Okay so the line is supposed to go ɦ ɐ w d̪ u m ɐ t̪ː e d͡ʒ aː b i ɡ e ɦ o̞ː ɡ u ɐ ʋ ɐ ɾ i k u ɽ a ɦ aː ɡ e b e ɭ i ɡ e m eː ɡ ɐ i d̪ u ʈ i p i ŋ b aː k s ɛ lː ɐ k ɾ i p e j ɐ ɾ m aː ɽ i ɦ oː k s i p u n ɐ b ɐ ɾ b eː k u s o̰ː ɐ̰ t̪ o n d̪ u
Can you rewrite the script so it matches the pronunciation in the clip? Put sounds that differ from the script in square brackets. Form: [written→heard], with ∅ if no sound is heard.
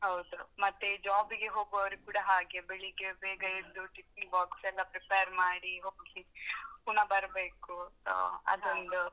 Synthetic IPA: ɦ ɐ w d̪ u m ɐ t̪ː e d͡ʒ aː b i ɡ e ɦ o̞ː ɡ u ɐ ʋ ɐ ɾ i k [u→uː] ɽ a ɦ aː ɡ e b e ɭ i ɡ e [m→b] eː ɡ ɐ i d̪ u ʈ i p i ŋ b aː k s ɛ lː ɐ [k→p] ɾ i p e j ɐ ɾ m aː ɽ i ɦ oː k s i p u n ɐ b ɐ ɾ b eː k u s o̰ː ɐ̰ [t̪→d̪] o n d̪ u